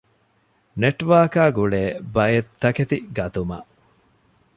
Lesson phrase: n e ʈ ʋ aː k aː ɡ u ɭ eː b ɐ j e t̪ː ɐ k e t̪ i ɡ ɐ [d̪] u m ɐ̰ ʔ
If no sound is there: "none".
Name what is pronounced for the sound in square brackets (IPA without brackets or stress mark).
t̪